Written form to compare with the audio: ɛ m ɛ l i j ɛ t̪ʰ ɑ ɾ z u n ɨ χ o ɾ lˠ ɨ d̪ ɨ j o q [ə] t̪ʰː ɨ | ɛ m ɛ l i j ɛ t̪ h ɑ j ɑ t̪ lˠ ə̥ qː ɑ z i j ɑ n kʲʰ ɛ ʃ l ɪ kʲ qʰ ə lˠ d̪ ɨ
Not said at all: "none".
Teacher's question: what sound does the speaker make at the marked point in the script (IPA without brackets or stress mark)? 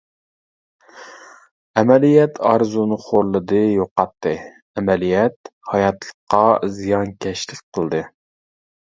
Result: ɑ